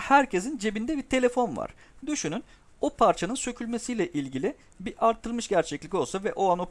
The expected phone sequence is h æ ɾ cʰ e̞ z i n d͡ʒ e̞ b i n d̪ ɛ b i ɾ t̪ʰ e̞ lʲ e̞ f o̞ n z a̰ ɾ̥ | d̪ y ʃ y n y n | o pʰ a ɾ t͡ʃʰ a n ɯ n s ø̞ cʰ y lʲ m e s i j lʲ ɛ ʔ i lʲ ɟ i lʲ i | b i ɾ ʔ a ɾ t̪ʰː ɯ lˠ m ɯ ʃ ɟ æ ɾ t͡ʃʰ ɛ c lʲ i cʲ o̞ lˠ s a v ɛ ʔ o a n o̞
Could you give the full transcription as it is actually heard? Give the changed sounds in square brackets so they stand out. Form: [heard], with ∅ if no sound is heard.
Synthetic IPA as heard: h æ ɾ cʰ e̞ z i n d͡ʒ e̞ b i n d̪ ɛ b i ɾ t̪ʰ e̞ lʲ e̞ f o̞ n [v] a̰ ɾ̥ | d̪ y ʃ y n y n | o pʰ a ɾ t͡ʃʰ a n ɯ n s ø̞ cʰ y lʲ m e s i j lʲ ɛ ʔ i lʲ ɟ i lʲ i | b i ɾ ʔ a ɾ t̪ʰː ɯ lˠ m ɯ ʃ ɟ æ ɾ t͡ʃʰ ɛ c lʲ i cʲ o̞ lˠ s a v ɛ ʔ o a n o̞